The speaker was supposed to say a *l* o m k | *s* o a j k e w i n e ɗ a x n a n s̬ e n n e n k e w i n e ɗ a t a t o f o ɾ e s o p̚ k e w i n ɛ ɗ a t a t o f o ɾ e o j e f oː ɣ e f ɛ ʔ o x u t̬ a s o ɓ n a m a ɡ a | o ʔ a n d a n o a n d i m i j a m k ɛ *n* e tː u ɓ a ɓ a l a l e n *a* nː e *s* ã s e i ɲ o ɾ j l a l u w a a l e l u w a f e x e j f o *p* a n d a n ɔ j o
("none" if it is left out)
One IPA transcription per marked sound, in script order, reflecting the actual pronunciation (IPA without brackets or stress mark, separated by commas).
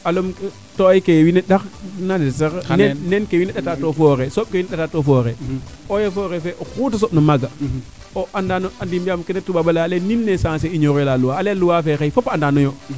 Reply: l, t, n, i, s, p